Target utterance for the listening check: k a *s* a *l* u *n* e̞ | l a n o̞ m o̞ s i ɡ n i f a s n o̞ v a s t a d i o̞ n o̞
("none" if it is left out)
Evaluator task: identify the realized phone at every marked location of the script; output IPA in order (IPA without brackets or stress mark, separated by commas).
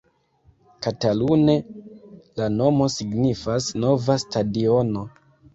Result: t, l, n